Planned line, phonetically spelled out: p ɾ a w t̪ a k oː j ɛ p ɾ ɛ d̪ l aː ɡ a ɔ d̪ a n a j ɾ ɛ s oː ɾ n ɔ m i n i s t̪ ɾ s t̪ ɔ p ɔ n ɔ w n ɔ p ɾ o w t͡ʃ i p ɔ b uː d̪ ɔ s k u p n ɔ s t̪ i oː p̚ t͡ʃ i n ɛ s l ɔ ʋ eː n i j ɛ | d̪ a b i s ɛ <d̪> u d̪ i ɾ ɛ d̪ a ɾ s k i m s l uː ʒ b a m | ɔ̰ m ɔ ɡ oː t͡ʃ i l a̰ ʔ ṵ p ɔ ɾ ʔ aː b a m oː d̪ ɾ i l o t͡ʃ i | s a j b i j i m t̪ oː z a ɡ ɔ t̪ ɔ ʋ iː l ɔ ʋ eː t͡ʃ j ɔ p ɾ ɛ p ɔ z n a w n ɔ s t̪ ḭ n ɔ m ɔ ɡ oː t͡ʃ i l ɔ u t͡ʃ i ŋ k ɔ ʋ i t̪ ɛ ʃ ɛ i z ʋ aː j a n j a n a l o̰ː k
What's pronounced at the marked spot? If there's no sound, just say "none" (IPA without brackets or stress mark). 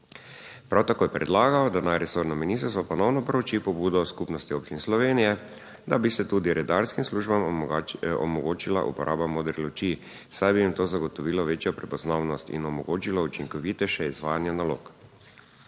t̪